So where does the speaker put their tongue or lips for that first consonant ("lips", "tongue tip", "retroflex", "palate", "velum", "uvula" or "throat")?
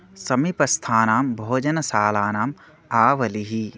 tongue tip